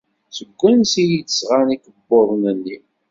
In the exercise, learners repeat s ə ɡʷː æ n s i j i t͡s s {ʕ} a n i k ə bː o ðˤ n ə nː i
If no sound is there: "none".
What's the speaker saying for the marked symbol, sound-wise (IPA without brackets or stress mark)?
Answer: ʁ